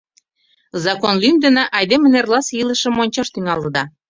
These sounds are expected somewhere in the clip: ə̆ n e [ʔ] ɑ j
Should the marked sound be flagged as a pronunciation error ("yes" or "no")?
no